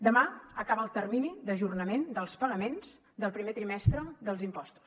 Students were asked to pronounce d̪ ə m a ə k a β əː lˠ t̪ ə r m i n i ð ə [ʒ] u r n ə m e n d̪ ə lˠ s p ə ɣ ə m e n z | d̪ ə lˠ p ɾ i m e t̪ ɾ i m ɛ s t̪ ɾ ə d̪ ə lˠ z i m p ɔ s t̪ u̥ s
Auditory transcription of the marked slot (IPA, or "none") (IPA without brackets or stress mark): ʒ